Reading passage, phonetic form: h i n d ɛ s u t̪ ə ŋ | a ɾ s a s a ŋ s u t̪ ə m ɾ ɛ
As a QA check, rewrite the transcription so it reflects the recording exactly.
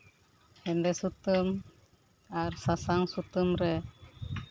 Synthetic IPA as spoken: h ɛ n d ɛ s u t̪ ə m | a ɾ s a s a ŋ s u t̪ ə m ɾ ɛ

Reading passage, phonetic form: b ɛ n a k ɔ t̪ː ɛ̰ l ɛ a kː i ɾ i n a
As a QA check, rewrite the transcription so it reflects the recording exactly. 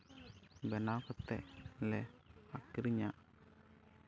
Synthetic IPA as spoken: b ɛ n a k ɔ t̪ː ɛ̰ l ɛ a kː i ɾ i ɲ a

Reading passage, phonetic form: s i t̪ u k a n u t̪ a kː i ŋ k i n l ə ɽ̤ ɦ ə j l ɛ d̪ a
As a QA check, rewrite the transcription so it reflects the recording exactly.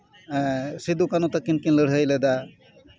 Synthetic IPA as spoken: s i d̪ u k a n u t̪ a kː i n k i n l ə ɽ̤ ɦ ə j l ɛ d̪ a

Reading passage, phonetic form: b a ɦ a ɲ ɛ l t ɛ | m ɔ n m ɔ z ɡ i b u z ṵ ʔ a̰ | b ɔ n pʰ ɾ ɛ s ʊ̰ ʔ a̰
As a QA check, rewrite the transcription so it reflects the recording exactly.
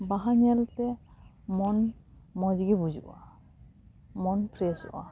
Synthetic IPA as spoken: b a ɦ a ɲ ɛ l t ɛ | m ɔ n m ɔ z ɡ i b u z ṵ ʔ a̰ | m ɔ n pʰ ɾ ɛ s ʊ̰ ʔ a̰

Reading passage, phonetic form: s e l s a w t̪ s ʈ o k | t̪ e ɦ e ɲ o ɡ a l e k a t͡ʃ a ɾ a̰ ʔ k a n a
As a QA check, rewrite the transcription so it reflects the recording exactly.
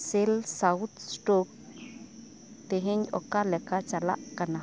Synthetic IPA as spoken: s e l s a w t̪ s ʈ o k | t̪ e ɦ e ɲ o k a l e k a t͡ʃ a l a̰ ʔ k a n a

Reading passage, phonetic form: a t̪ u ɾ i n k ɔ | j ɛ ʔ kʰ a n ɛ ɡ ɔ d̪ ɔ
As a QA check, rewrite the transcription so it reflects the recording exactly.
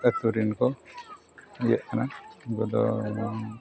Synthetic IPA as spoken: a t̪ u ɾ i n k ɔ | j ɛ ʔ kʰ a n a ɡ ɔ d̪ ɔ

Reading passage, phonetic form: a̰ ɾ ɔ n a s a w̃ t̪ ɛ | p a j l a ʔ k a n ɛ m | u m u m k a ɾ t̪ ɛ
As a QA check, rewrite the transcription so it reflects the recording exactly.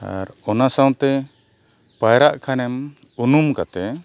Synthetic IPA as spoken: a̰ ɾ ɔ n a s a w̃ t̪ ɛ | p a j ɾ a ʔ kʰ a n ɛ m | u n u m k a t̪ ɛ

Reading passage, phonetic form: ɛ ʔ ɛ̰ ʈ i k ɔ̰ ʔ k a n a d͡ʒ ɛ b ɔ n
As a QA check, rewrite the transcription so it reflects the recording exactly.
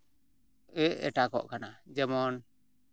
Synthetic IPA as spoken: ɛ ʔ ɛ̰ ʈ a k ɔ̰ ʔ k a n a d͡ʒ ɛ m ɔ n

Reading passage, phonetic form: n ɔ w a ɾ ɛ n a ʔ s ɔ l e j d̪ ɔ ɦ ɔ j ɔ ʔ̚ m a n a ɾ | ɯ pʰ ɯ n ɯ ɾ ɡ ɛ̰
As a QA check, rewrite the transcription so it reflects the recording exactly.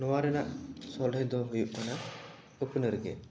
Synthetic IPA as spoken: n ɔ w a ɾ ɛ n a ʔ s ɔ l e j d̪ ɔ ɦ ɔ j u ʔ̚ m a n a | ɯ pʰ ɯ n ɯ ɾ ɡ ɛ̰

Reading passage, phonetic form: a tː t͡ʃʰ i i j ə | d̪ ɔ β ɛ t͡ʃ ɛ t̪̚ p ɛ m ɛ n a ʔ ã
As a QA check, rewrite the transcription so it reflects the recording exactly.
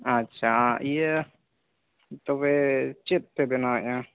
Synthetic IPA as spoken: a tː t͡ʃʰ a i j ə | t̪ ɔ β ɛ t͡ʃ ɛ t̪̚ p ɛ b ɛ n a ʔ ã

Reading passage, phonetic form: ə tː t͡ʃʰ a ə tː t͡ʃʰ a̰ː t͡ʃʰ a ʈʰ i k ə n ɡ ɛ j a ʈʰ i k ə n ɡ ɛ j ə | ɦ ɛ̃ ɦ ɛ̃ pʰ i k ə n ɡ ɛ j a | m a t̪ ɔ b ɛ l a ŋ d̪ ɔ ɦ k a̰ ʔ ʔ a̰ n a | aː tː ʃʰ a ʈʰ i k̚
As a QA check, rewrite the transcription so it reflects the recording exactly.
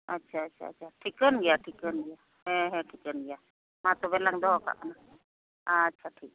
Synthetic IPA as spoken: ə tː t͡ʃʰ a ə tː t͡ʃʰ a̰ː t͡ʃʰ a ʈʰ i k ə n ɡ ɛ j a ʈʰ i k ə n ɡ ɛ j a | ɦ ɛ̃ ɦ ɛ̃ ʈʰ i k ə n ɡ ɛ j a | m a t̪ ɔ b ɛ l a ŋ d̪ ɔ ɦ k a̰ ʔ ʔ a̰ n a | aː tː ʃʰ a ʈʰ i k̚

